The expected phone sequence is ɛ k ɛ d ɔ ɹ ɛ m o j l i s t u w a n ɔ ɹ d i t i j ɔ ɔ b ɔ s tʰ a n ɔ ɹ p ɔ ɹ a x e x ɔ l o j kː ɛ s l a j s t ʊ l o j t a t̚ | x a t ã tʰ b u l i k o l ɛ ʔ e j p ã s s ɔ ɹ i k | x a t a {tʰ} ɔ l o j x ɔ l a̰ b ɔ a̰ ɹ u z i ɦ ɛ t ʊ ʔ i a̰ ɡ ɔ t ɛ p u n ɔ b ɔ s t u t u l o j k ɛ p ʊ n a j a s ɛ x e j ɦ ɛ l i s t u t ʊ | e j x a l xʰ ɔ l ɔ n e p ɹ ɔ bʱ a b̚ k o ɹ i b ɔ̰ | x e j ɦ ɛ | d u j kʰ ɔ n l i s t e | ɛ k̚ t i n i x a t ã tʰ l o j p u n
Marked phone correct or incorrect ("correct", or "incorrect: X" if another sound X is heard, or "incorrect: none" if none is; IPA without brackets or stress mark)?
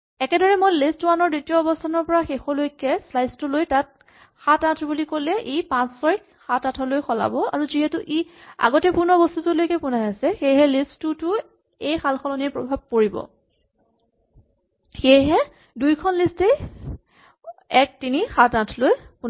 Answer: correct